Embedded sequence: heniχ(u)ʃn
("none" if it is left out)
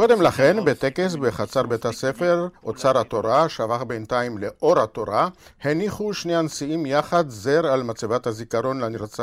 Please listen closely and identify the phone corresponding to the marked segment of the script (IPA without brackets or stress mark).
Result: u